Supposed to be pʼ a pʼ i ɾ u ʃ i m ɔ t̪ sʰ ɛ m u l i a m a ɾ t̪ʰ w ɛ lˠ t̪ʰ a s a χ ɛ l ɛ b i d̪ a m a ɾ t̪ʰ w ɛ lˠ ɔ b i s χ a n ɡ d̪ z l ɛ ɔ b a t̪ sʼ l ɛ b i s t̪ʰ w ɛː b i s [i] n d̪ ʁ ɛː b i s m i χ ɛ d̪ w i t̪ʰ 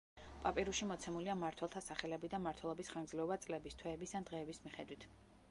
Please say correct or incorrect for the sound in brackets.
incorrect